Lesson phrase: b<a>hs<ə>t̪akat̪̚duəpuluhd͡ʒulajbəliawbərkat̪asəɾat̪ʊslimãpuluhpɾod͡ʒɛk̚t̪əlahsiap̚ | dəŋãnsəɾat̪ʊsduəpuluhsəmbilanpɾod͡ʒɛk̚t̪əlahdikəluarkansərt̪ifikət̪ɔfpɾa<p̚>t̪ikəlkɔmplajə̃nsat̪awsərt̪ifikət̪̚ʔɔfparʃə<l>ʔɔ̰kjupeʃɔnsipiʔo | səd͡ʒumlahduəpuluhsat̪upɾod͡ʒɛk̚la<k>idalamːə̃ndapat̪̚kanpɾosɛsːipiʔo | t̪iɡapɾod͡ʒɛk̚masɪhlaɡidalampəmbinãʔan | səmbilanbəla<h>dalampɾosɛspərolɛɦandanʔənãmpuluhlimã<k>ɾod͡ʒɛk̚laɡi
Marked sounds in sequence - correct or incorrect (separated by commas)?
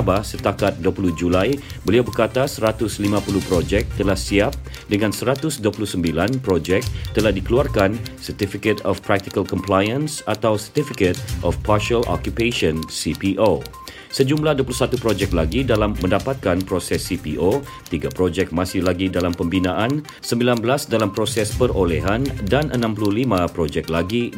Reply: correct, correct, incorrect, correct, incorrect, incorrect, incorrect